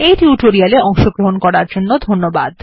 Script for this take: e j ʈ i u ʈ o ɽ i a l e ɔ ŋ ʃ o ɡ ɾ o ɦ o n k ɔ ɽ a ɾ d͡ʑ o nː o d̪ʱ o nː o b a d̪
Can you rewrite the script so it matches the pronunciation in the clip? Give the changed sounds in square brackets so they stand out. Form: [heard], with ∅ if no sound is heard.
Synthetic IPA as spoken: e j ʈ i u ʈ o [ɾ] i a l e ɔ ŋ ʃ o ɡ ɾ o ɦ o n k ɔ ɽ a ɾ d͡ʑ o nː o d̪ʱ o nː o b a d̪